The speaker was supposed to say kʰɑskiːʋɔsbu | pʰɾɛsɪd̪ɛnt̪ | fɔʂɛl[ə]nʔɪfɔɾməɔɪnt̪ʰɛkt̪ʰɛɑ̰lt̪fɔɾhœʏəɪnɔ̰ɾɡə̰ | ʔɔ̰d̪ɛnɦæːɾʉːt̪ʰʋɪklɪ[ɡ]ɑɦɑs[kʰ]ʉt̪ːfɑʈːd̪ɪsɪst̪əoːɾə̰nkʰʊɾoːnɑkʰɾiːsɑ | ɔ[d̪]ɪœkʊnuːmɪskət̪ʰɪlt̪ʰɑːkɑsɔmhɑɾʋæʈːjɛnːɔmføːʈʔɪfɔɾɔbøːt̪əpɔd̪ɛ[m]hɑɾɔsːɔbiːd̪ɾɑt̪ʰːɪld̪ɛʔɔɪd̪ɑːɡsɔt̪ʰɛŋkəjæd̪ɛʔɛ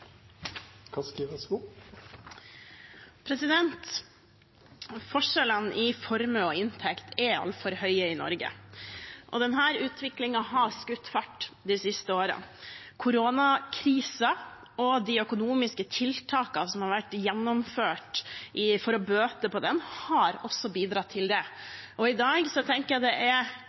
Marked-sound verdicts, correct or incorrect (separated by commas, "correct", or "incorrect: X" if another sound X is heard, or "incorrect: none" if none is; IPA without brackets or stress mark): correct, incorrect: ŋ, incorrect: k, correct, incorrect: n